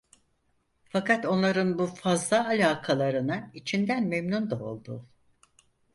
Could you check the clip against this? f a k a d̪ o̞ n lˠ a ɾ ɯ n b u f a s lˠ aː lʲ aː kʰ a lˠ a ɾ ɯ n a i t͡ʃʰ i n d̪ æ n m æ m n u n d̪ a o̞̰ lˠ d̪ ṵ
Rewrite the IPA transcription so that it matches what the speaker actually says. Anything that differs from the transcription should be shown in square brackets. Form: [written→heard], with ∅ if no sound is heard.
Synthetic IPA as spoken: f a k a [d̪→t̪] o̞ n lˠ a ɾ ɯ n b u f a [s→z] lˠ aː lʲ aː kʰ a lˠ a ɾ ɯ n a i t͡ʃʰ i n d̪ æ n m [æ→e] m n u n d̪ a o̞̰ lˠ d̪ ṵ

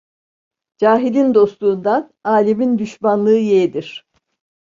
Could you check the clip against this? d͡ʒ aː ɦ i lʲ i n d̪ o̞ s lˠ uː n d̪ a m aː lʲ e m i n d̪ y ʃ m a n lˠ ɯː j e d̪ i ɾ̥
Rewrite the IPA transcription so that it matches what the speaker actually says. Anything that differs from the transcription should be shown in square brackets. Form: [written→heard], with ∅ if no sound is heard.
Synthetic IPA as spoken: d͡ʒ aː ɦ i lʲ i n d̪ o̞ s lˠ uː n d̪ a [m→n] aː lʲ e m i n d̪ y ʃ m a n lˠ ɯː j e d̪ i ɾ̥

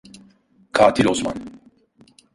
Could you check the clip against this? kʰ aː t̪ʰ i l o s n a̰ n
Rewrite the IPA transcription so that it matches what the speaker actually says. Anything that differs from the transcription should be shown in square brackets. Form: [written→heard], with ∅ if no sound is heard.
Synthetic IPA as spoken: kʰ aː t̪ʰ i l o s [n→m] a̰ n

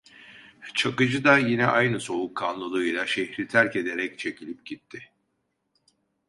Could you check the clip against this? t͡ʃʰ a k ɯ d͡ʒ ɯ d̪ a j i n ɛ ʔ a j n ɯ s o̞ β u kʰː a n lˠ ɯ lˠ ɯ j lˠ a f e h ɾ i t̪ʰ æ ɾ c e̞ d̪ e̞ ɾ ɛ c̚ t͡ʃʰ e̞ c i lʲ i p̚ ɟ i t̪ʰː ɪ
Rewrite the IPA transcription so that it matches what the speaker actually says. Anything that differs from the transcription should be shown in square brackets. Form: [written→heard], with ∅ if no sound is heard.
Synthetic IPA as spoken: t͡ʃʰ a k ɯ d͡ʒ ɯ d̪ a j i n ɛ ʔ a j n ɯ s o̞ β u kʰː a n lˠ ɯ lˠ ɯ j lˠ a [f→ʃ] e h ɾ i t̪ʰ æ ɾ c e̞ d̪ e̞ ɾ ɛ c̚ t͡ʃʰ e̞ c i lʲ i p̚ ɟ i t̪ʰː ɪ

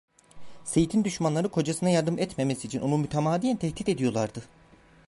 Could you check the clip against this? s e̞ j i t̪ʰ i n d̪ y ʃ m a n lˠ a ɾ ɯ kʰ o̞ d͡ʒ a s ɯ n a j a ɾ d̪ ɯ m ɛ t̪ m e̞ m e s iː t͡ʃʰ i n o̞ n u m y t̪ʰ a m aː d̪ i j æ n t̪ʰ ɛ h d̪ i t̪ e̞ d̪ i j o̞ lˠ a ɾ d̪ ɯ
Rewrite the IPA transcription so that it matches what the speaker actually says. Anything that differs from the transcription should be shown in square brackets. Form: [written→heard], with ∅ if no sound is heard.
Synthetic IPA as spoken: s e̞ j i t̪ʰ i n d̪ y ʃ m a n lˠ a ɾ ɯ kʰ o̞ d͡ʒ a s ɯ n a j a ɾ d̪ ɯ m ɛ t̪ m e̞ m e s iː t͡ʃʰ i n o̞ n u m y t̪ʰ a m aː d̪ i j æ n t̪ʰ ɛ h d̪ i t̪ e̞ d̪ i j o̞ lˠ a ɾ d̪ ɯ

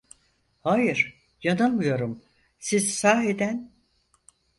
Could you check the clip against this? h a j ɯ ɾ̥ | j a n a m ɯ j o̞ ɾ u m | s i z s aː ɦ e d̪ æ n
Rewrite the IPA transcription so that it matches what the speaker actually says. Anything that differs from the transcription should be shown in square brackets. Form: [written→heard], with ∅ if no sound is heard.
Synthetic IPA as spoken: h a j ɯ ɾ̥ | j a n a m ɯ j o̞ ɾ u m | s i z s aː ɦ e d̪ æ n

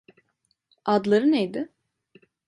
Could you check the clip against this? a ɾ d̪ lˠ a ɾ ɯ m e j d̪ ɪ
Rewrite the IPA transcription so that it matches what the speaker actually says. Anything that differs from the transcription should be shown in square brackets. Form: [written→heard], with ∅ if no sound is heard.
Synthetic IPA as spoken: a [ɾ→∅] d̪ lˠ a ɾ ɯ [m→n] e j d̪ ɪ

